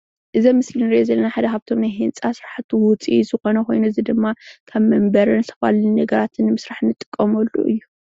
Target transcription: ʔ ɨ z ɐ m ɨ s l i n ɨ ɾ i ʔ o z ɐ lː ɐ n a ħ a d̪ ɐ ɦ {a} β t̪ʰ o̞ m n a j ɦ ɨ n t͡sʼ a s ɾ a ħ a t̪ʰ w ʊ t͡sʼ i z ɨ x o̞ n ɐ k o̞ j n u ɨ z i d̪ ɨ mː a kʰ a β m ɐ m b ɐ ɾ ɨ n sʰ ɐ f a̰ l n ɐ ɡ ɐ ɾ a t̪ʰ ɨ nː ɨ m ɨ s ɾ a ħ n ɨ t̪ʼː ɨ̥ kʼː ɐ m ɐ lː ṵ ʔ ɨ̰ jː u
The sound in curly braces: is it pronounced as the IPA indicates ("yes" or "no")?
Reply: yes